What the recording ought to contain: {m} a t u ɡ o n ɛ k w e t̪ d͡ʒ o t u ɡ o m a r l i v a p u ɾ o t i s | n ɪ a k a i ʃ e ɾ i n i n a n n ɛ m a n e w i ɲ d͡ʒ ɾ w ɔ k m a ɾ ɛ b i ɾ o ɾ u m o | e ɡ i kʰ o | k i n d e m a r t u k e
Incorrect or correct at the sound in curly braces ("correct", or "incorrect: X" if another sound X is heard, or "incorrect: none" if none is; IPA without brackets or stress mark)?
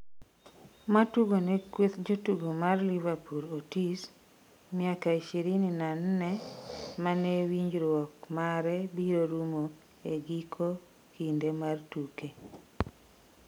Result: correct